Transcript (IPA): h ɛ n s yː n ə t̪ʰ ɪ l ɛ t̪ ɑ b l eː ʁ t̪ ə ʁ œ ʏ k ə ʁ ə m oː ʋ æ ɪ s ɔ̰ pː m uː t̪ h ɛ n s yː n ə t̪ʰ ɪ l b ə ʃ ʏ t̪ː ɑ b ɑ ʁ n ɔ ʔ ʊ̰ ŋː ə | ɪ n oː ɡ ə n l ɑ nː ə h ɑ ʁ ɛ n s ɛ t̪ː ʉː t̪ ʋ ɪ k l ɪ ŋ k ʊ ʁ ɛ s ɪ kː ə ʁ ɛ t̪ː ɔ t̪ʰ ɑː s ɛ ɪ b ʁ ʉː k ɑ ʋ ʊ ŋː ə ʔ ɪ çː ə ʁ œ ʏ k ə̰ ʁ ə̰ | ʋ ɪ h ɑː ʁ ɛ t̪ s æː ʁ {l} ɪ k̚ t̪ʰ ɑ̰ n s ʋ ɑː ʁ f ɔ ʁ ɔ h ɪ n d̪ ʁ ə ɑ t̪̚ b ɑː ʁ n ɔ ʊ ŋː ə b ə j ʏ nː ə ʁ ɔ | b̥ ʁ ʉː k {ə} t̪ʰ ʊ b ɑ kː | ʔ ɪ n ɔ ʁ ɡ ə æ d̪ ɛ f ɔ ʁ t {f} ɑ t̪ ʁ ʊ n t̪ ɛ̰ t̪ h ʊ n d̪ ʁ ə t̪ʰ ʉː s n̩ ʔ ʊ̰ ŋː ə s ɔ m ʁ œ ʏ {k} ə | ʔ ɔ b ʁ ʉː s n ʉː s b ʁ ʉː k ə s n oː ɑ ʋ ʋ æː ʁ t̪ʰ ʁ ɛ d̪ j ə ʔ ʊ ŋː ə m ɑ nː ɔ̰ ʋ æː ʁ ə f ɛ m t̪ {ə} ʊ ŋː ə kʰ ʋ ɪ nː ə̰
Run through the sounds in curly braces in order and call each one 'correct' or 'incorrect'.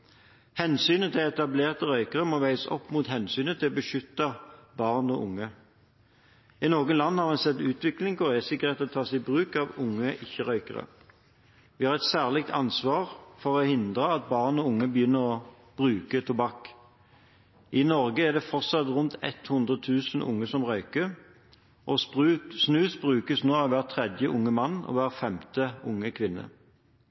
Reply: correct, correct, incorrect: s, correct, correct

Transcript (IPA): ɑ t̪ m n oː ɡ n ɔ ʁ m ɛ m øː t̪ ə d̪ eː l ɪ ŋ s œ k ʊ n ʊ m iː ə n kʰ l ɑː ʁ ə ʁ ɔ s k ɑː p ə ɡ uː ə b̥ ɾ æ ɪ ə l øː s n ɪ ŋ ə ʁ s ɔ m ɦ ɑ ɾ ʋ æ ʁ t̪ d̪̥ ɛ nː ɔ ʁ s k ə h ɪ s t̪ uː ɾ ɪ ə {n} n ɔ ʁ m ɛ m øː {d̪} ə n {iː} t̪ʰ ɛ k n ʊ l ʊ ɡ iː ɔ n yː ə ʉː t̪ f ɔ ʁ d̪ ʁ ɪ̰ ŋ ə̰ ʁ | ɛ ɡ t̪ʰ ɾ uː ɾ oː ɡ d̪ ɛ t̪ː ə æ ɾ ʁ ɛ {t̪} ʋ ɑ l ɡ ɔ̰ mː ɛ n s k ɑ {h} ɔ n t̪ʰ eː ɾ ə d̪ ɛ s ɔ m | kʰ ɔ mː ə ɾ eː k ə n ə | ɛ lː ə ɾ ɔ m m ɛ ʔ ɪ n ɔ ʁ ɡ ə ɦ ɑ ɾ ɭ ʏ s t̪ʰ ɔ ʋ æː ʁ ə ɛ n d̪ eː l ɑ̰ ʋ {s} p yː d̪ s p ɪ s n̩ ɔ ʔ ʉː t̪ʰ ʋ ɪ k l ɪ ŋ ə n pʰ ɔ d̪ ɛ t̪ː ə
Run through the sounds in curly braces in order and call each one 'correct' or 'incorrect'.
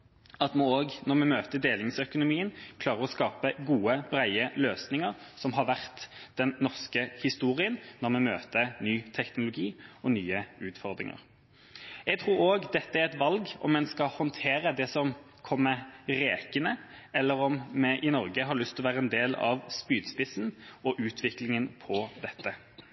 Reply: correct, incorrect: t̪, incorrect: yː, correct, correct, correct

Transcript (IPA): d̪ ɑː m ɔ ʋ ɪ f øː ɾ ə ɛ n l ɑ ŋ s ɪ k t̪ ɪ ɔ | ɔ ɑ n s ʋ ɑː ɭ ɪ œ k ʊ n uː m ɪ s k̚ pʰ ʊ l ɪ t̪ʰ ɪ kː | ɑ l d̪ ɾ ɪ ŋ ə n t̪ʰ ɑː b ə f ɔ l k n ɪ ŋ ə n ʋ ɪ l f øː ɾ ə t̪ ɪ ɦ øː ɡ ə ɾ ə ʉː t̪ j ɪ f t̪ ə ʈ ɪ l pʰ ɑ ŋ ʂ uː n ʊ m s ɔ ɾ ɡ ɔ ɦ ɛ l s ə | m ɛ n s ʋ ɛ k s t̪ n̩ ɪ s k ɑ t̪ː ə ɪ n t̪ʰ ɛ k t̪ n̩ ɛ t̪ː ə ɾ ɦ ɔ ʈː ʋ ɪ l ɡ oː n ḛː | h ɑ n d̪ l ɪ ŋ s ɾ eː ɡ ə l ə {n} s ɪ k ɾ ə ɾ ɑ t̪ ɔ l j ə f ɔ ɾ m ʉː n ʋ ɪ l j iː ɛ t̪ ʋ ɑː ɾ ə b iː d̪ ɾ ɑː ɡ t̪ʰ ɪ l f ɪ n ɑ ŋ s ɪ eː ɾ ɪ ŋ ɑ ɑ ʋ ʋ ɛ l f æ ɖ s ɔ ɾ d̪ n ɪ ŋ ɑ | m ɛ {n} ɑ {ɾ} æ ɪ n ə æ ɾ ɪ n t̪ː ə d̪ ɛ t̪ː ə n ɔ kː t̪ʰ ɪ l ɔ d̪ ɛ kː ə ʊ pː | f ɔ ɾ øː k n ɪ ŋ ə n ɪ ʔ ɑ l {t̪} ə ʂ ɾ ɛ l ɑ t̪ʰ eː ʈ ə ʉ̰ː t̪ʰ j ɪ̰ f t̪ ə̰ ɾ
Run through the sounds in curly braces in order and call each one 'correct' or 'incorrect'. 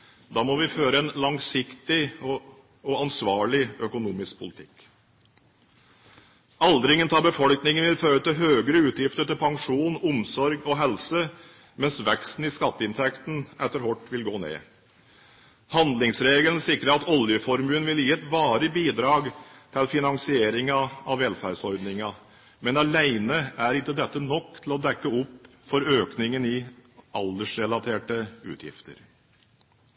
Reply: correct, correct, incorrect: l, incorrect: d̪

